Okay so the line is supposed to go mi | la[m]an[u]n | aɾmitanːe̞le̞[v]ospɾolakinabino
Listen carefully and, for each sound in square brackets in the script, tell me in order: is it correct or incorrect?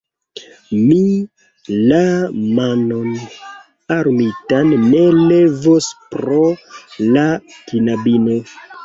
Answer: correct, incorrect: o, correct

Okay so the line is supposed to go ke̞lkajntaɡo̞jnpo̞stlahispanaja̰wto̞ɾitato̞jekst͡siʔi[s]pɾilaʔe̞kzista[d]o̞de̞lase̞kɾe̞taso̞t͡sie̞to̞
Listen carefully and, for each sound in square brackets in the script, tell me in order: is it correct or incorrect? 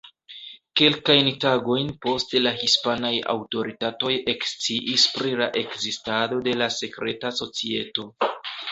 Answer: correct, correct

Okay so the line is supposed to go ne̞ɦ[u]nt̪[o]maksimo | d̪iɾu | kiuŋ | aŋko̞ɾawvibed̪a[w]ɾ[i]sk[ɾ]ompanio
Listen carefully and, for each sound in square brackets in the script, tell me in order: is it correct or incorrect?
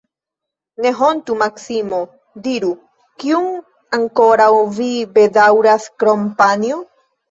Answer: incorrect: o, incorrect: u, correct, incorrect: a, correct

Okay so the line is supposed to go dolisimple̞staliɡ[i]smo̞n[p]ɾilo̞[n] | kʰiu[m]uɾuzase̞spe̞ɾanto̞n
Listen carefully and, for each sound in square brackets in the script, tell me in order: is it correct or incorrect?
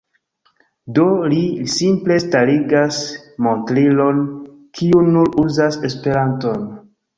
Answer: incorrect: a, incorrect: t, correct, incorrect: n

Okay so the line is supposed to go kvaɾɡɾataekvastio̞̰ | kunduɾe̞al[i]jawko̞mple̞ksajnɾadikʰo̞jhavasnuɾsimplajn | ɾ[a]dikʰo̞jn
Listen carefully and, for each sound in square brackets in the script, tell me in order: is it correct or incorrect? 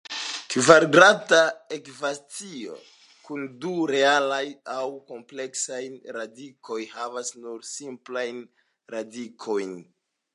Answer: incorrect: a, correct

